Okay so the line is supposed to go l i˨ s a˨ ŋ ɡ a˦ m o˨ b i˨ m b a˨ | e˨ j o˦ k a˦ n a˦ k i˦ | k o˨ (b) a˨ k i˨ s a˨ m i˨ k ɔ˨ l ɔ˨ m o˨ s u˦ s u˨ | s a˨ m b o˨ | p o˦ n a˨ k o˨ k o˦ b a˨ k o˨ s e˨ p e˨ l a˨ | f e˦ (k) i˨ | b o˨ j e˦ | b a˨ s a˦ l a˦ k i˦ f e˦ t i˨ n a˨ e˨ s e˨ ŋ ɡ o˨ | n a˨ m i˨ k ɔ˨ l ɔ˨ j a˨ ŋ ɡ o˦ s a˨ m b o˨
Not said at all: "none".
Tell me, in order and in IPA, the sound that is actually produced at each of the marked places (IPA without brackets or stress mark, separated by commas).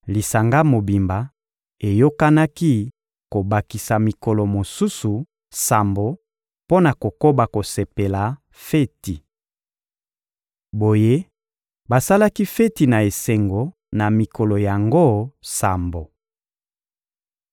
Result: b, t